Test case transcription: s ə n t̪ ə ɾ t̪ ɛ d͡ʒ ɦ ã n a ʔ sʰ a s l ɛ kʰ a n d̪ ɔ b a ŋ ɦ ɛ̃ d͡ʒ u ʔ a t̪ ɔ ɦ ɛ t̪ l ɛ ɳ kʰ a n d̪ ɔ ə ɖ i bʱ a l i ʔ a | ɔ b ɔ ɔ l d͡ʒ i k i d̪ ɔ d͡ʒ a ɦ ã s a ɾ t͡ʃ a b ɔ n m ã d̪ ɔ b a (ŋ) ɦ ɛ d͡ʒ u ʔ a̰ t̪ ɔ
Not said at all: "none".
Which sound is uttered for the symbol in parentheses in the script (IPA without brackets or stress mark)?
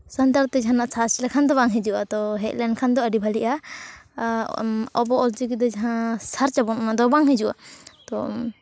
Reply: ŋ